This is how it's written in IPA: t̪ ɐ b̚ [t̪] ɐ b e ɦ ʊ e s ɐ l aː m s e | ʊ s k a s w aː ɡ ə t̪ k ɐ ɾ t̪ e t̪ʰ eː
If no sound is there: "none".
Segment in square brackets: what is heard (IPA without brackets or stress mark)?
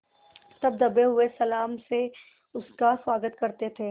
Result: d̪